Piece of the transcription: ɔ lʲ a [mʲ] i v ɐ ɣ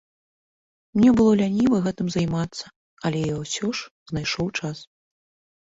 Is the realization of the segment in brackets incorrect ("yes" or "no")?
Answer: yes